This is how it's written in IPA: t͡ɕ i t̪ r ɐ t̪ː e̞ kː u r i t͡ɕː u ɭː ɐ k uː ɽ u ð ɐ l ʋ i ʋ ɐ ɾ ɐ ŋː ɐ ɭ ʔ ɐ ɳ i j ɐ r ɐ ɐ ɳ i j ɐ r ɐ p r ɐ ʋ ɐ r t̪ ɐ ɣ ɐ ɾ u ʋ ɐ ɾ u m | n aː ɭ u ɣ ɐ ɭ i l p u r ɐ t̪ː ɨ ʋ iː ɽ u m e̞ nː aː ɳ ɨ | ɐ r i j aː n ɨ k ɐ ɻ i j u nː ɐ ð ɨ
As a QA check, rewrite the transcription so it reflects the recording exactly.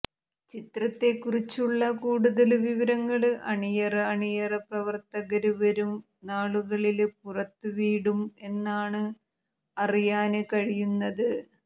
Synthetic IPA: t͡ɕ i t̪ r ɐ t̪ː e̞ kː u r i t͡ɕː u ɭː ɐ k uː ɽ u ð ɐ l ʋ i ʋ ɐ ɾ ɐ ŋː ɐ ɭ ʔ ɐ ɳ i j ɐ r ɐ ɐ ɳ i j ɐ r ɐ p r ɐ ʋ ɐ r t̪ ɐ ɣ ɐ ɾ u ʋ ɐ ɾ u m | n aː ɭ u ɣ ɐ ɭ i l p u r ɐ t̪ː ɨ ʋ iː ɽ u m e̞ nː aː ɳ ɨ | ɐ r i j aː n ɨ k ɐ ɻ i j u nː ɐ ð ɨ